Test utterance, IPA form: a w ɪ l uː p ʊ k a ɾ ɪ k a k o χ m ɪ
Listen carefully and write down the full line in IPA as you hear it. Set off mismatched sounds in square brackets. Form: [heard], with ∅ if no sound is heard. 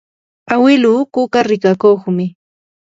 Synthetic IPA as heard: a w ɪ l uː [k] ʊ k a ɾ ɪ k a k o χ m ɪ